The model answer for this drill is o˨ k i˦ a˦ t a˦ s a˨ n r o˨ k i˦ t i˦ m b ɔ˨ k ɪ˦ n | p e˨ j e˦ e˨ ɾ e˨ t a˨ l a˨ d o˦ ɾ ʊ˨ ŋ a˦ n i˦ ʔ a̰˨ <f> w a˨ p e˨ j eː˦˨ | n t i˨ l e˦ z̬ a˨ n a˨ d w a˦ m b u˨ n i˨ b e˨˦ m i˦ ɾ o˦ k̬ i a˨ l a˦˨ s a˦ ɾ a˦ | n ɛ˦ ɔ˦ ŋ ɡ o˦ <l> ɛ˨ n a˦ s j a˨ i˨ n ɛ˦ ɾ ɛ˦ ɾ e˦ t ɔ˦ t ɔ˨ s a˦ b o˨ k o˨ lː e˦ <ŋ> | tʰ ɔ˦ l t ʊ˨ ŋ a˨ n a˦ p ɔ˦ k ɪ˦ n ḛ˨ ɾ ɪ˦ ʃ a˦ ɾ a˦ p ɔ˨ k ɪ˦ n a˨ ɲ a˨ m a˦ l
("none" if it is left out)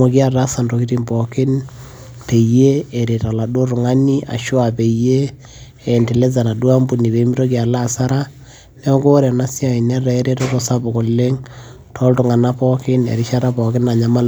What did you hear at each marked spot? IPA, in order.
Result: ʃ, ɾ, ŋ

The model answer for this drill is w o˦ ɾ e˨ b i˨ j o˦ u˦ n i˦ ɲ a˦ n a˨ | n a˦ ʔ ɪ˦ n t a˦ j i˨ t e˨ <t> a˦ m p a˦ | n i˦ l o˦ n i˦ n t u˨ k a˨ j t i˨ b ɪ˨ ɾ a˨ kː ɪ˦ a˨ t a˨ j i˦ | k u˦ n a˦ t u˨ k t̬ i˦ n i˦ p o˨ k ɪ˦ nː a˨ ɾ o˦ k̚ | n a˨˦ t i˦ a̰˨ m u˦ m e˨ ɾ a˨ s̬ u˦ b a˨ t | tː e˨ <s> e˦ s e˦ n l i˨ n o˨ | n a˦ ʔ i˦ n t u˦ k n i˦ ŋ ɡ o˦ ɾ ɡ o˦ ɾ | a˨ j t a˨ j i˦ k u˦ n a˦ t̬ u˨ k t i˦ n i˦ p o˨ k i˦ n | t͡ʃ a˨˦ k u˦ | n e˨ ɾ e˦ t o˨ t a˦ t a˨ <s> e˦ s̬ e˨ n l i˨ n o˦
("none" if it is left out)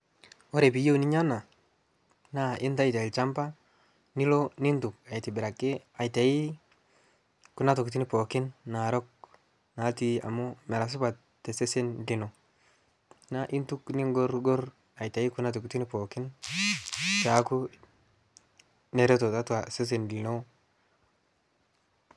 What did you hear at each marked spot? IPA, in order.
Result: t͡ʃ, s, s

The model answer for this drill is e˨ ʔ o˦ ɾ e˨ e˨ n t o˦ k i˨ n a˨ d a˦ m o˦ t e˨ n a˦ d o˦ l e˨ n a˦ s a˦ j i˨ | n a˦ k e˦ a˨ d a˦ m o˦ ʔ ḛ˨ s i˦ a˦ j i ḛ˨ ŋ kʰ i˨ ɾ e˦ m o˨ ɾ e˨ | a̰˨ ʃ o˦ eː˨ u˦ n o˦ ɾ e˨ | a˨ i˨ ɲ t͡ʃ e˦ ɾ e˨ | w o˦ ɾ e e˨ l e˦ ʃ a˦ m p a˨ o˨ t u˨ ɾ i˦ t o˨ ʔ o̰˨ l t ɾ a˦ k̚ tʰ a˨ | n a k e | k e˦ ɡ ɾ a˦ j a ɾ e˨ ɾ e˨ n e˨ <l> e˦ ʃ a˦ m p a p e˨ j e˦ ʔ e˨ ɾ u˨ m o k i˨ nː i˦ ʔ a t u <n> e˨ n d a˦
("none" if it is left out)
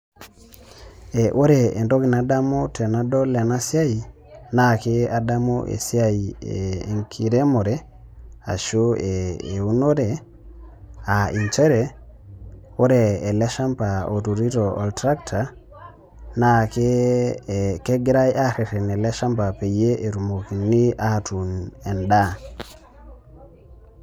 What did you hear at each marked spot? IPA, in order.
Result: l, n

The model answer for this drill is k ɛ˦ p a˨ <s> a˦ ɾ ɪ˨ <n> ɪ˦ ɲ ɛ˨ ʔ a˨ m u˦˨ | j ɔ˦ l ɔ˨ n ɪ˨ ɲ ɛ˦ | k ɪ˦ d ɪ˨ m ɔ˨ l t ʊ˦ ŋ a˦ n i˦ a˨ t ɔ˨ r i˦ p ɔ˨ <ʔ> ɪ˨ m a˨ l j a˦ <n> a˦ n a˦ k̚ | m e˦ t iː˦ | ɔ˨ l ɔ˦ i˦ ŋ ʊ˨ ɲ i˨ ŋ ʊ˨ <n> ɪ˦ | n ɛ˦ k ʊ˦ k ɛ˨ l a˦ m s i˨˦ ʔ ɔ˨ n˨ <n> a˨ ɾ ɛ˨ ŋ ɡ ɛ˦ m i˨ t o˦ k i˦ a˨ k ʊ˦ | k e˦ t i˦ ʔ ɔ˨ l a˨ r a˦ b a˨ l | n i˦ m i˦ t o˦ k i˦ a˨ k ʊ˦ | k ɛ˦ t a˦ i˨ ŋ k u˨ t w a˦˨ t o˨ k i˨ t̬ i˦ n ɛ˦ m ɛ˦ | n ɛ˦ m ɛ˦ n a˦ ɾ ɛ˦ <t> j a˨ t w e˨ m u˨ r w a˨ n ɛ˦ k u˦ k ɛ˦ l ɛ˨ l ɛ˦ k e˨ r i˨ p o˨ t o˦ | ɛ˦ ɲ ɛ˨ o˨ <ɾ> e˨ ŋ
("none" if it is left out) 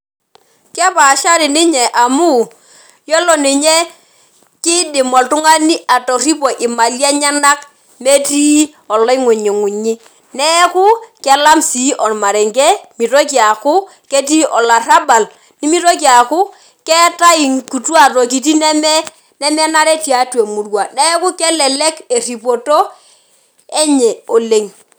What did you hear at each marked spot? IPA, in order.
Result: ʃ, n, ʔ, ɲ, ɲ, m, t, l

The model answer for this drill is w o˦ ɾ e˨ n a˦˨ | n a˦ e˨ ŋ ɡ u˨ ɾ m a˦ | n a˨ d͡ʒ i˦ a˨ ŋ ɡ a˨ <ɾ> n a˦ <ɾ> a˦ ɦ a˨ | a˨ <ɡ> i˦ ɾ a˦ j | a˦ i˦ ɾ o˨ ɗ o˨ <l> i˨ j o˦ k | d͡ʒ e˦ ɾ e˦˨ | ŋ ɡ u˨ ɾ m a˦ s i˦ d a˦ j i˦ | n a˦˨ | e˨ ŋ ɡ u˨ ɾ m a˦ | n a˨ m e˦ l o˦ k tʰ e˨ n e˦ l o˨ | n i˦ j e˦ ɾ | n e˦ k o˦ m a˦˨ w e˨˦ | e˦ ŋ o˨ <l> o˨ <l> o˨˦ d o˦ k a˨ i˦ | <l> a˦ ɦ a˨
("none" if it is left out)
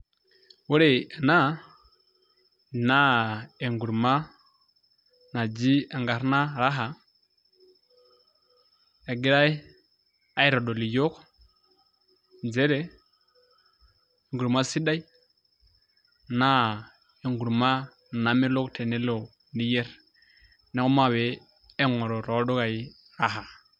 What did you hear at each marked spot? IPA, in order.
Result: ɾ, ɾ, ɡ, l, ɾ, ɾ, ɾ

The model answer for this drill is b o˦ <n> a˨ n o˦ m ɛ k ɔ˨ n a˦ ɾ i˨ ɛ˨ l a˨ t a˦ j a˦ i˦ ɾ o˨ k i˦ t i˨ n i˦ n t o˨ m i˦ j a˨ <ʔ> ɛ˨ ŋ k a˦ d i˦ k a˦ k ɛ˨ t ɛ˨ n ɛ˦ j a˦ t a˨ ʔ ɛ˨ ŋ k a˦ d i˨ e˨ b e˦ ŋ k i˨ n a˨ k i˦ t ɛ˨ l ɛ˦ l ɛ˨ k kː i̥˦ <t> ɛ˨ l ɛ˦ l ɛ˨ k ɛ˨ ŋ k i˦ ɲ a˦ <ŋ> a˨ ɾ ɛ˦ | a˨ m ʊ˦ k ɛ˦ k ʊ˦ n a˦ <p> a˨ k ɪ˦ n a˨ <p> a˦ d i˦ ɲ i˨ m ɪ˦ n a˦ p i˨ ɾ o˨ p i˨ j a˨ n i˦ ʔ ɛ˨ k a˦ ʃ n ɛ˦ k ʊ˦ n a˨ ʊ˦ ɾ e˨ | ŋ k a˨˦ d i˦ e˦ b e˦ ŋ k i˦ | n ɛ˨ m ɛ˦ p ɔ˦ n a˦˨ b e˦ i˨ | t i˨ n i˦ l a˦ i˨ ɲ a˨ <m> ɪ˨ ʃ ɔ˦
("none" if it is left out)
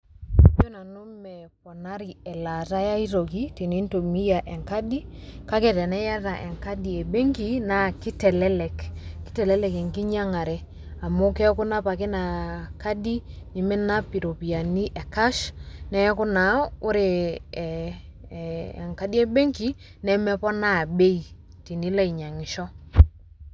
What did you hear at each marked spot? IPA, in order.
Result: n, ʔ, t, ŋ, p, k, ŋ

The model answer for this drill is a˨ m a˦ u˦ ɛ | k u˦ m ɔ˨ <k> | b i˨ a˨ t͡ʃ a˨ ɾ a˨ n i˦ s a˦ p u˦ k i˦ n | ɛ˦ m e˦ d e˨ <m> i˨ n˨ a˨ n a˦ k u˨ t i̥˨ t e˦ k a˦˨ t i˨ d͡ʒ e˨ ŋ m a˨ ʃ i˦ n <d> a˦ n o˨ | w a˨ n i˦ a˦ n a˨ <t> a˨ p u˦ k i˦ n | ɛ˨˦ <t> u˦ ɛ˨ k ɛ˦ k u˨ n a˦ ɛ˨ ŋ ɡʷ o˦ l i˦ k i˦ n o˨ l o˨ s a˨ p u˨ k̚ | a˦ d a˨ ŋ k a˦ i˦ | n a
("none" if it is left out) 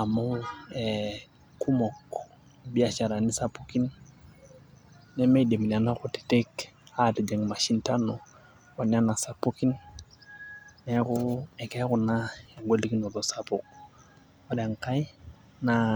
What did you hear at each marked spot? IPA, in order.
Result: k, m, t, s, k

